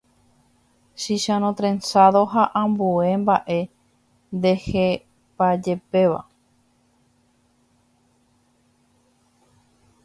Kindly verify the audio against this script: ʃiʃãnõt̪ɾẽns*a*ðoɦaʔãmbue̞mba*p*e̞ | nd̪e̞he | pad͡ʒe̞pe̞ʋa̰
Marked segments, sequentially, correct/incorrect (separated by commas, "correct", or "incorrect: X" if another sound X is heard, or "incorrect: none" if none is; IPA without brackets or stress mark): correct, incorrect: ʔ